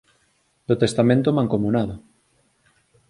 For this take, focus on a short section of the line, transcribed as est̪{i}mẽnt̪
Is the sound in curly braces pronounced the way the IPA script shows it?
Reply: no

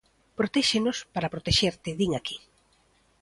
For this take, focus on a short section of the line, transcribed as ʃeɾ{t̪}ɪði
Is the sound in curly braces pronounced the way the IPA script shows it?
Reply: yes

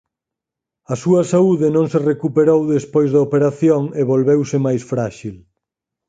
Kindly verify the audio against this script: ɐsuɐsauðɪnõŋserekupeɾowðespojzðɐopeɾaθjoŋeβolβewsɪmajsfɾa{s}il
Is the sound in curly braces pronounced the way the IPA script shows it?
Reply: no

